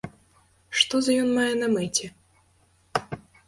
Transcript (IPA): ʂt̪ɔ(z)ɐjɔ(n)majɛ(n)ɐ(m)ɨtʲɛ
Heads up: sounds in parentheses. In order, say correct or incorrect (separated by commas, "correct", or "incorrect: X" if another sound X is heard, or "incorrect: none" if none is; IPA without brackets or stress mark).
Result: correct, correct, correct, correct